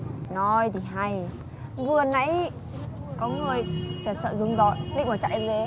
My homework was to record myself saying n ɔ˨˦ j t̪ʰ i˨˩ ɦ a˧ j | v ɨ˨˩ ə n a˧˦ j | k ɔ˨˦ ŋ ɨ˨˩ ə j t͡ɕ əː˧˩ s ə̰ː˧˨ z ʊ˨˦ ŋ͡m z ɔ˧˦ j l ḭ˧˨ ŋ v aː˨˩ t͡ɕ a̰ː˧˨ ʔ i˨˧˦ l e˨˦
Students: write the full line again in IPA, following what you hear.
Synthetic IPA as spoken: n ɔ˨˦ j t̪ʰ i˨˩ ɦ a˧ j | v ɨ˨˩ ə n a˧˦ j | k ɔ˨˦ ŋ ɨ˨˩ ə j t͡ɕ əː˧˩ s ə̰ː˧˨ z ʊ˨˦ ŋ͡m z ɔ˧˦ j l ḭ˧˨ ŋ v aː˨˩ t͡ɕ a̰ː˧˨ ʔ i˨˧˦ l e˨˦